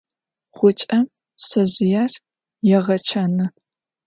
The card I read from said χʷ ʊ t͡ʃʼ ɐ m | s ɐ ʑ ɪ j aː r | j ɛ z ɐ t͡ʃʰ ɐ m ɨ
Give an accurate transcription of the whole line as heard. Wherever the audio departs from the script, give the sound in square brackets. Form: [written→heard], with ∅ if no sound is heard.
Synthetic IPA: χʷ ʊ t͡ʃʼ ɐ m | s ɐ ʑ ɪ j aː r | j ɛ [z→ʁ] ɐ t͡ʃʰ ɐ [m→n] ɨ